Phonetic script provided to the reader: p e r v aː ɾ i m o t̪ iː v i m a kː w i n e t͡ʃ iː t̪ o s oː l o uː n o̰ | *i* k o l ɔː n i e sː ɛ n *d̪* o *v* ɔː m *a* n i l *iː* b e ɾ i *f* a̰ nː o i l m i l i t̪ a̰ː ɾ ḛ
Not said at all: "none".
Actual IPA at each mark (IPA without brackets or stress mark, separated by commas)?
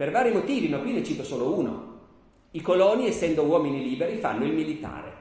i, d̪, w, i, iː, f